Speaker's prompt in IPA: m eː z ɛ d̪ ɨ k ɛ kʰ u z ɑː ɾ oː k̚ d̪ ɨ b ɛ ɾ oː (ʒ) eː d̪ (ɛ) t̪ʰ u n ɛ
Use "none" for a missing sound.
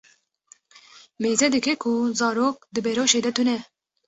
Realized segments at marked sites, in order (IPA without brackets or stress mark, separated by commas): ʃ, ɛ